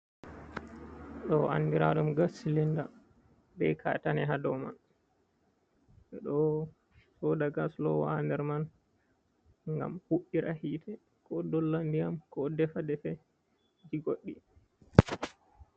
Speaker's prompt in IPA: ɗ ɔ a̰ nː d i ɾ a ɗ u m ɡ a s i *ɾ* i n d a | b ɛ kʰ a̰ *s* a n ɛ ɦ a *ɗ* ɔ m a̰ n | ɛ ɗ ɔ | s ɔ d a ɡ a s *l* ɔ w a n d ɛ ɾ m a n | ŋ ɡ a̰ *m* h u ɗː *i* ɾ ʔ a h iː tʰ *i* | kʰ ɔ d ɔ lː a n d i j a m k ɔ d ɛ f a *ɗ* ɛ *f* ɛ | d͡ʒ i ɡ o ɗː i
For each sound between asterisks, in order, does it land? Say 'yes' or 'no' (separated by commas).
no, no, no, yes, yes, yes, no, no, yes